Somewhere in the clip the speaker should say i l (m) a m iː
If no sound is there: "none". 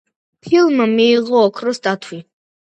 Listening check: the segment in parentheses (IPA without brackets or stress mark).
m